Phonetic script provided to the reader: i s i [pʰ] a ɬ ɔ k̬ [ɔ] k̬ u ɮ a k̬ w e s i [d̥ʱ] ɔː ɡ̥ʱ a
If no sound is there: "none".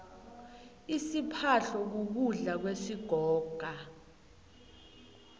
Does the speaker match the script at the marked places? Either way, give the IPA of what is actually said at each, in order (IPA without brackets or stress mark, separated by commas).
pʰ, u, ɡ̥ʱ